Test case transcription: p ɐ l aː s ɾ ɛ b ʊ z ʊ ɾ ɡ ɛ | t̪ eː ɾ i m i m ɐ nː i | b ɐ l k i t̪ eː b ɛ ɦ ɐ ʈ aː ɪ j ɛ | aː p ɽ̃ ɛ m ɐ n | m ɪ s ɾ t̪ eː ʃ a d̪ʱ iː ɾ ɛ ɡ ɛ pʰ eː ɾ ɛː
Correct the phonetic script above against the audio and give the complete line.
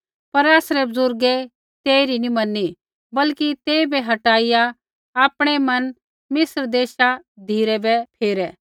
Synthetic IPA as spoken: p ɐ ɾ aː s ɾ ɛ b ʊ z ʊ ɾ ɡ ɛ | t̪ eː ɾ i n i m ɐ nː i | b ɐ l k i t̪ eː b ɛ ɦ ɐ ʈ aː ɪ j a | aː p ɽ̃ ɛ m ɐ n | m ɪ s ɾ d̪ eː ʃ a d̪ʱ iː ɾ ɛ b ɛ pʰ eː ɾ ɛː